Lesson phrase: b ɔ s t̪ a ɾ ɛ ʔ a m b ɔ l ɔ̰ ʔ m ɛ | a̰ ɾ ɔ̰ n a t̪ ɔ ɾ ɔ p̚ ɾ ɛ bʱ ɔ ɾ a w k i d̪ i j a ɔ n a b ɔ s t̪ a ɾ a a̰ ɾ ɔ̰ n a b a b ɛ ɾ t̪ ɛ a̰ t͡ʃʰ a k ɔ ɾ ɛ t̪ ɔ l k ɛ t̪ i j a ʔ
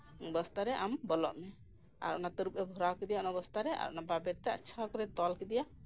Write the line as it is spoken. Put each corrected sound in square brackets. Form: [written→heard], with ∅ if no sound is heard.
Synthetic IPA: b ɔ s t̪ a ɾ ɛ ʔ a m b ɔ l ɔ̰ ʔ m ɛ | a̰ ɾ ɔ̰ n a t̪ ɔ ɾ [ɔ→u] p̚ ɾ ɛ bʱ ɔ ɾ a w k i d̪ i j a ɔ n a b ɔ s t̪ a ɾ [a→ɛ] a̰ ɾ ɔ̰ n a b a b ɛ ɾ t̪ ɛ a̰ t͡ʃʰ a k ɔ ɾ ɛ t̪ ɔ l k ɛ [t̪→d̪] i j a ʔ